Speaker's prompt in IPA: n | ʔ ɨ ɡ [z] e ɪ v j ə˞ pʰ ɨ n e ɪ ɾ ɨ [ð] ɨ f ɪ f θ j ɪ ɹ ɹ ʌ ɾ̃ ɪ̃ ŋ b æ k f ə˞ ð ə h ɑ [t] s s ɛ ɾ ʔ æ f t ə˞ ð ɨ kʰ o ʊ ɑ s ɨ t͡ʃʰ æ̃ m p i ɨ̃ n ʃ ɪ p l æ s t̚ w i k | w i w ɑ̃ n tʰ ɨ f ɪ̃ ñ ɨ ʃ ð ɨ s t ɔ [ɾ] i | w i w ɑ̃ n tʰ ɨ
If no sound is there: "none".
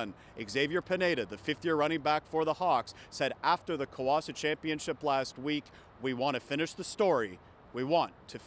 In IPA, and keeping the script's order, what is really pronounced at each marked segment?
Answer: z, ð, k, ɹ

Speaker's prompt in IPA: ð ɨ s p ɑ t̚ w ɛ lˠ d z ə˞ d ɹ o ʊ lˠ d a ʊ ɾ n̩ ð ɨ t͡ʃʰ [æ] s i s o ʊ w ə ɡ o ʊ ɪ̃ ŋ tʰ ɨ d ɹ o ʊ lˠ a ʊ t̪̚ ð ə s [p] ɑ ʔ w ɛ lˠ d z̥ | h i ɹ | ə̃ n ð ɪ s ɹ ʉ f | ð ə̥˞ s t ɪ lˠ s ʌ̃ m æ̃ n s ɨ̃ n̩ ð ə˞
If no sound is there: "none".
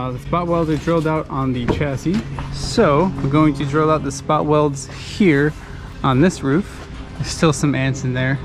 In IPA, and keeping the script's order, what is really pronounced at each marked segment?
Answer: æ, p

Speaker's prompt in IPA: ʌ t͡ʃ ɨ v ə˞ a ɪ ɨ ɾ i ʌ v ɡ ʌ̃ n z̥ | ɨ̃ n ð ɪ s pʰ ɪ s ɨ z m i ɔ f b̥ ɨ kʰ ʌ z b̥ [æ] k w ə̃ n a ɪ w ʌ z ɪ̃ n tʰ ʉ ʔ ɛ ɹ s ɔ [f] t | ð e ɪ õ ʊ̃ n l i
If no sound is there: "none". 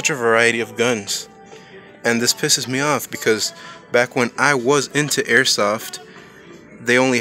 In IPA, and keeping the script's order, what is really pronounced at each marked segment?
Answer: æ, f

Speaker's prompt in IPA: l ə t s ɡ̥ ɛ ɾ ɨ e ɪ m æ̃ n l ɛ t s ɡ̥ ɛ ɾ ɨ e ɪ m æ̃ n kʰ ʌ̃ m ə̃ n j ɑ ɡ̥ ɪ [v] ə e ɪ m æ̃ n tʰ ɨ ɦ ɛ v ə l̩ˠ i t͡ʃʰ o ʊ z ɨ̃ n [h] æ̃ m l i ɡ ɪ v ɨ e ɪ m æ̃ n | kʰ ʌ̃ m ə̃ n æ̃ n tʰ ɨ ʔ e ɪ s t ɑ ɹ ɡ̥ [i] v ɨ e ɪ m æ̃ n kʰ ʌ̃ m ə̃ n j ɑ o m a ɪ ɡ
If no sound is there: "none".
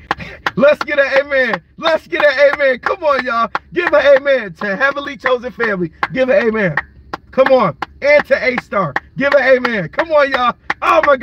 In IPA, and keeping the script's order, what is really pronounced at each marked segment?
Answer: v, f, ɪ

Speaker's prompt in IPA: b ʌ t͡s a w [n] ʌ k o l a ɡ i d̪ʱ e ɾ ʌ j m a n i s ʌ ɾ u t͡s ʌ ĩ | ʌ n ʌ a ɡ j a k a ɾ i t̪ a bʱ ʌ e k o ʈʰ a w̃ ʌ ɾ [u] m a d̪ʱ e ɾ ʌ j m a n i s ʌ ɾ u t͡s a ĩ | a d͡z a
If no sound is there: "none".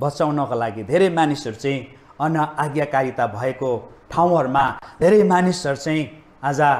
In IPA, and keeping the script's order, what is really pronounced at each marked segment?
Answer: n, u

